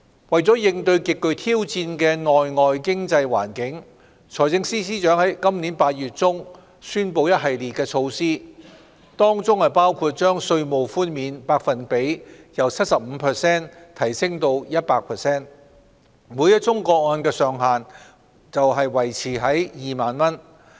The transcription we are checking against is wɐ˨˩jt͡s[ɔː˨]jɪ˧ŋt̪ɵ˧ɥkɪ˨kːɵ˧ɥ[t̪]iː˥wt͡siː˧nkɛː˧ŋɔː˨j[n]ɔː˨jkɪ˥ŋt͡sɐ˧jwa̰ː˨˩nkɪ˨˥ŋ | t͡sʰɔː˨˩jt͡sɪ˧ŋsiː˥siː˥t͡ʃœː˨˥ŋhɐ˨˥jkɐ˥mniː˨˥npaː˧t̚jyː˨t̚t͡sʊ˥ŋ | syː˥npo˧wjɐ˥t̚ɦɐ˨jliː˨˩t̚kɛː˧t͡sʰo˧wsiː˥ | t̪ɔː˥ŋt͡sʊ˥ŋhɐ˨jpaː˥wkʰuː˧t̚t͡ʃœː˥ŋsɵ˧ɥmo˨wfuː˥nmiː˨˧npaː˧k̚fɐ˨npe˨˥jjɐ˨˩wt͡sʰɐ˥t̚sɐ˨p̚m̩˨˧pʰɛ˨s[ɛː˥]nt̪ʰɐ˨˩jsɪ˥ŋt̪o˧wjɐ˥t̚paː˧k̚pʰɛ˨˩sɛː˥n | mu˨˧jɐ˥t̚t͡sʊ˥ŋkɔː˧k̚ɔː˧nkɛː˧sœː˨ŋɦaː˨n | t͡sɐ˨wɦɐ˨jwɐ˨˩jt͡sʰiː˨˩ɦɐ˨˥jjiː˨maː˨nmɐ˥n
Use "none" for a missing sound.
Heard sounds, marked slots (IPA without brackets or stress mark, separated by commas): ɔː˨˥, t̪ʰ, ŋ, ɛː˥